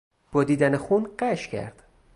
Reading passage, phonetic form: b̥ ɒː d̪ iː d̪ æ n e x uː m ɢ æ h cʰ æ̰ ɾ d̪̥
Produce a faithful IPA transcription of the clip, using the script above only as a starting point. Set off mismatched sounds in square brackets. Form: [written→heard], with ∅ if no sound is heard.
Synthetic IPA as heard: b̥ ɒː d̪ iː d̪ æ n e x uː [m→n] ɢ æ [h→ʃ] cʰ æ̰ ɾ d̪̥